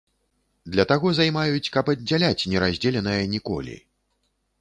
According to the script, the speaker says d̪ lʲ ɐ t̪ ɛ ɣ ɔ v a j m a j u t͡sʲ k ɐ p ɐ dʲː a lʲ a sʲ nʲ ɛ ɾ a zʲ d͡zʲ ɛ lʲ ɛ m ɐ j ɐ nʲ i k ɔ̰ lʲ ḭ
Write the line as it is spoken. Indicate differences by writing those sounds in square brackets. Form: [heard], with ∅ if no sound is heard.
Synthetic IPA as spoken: d̪ lʲ ɐ t̪ [a] ɣ ɔ [z] a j m a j u t͡sʲ k ɐ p ɐ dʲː a lʲ a [t͡sʲ] nʲ ɛ ɾ a zʲ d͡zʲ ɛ lʲ ɛ [n] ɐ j ɐ nʲ i k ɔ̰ lʲ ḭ